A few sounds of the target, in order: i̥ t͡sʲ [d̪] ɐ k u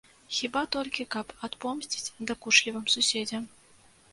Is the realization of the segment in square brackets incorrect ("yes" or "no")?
no